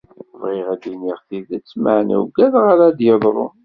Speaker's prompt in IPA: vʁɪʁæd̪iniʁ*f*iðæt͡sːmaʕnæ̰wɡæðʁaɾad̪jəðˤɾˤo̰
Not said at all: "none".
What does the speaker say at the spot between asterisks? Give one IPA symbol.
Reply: θ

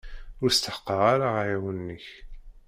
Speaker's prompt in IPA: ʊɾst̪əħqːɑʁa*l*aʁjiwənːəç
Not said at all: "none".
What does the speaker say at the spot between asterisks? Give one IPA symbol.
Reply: ɾ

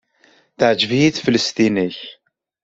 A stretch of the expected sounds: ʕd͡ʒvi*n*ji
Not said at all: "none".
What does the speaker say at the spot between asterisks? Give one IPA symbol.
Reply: none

